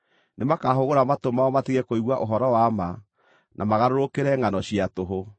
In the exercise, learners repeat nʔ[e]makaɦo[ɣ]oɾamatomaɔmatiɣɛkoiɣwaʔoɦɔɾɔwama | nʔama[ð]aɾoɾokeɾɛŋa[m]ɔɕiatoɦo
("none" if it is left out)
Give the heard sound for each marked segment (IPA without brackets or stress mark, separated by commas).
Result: e, ɣ, ɣ, n